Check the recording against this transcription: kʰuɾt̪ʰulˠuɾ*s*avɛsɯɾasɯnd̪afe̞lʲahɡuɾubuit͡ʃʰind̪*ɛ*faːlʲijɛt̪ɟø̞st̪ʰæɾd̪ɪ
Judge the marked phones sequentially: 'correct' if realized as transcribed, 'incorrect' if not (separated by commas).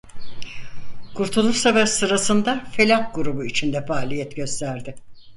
correct, correct